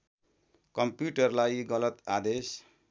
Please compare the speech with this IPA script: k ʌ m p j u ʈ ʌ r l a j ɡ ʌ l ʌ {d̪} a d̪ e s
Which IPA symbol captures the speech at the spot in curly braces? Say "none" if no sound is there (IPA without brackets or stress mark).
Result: t̪